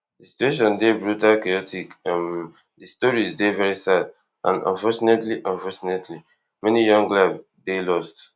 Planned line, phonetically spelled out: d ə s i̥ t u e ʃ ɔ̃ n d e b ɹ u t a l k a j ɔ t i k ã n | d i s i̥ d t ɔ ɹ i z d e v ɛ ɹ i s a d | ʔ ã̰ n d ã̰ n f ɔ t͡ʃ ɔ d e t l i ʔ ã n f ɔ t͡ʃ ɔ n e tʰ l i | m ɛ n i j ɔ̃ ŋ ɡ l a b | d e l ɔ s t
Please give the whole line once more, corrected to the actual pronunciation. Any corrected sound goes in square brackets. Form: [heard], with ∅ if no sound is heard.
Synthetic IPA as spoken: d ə s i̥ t u e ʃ ɔ̃ n d e b ɹ u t a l k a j ɔ t i k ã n | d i s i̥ [∅] t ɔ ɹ i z d e v ɛ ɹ i s a d | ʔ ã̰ n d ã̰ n f ɔ t͡ʃ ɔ [n] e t l i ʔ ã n f ɔ t͡ʃ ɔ n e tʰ l i | m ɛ n i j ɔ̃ ŋ ɡ l a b | d e l ɔ s t